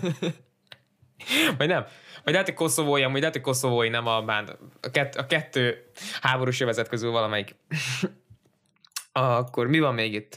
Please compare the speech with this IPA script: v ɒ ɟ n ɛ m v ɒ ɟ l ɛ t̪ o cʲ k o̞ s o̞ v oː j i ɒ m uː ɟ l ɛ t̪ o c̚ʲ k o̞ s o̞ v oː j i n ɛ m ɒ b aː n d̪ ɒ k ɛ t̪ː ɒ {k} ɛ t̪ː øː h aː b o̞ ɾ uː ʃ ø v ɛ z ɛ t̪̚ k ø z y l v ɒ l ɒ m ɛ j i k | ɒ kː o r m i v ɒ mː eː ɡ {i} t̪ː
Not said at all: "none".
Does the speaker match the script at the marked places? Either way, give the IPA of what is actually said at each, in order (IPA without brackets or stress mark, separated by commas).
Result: k, i